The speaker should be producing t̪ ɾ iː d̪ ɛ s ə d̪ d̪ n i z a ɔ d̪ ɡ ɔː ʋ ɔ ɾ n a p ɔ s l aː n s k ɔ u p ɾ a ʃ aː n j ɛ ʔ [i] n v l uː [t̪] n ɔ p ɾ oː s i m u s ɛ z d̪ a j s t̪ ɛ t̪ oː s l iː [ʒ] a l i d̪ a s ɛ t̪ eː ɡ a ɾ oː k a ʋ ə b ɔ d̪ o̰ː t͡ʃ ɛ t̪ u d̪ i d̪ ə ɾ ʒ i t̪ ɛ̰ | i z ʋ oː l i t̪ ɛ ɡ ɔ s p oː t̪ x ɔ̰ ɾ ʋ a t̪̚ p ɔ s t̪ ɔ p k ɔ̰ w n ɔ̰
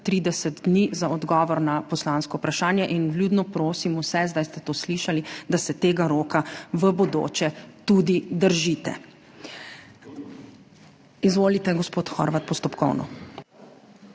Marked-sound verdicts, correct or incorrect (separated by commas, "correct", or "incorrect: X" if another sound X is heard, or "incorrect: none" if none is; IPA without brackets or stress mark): correct, incorrect: d̪, incorrect: ʃ